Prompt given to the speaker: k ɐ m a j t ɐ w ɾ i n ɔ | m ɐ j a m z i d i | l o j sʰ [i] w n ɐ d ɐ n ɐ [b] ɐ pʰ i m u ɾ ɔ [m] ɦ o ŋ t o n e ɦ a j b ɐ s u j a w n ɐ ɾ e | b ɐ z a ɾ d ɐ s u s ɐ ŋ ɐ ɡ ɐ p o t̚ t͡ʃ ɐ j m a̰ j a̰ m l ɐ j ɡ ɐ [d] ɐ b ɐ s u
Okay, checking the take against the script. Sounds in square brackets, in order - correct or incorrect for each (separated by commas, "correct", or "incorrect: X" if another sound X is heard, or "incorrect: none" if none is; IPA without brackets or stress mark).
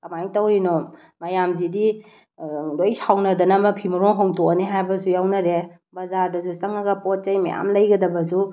incorrect: a, incorrect: m, incorrect: ŋ, correct